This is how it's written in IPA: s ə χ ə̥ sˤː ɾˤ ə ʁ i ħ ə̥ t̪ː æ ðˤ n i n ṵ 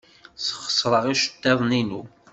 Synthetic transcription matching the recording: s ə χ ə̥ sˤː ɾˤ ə ʁ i ʃ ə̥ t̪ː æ ðˤ n i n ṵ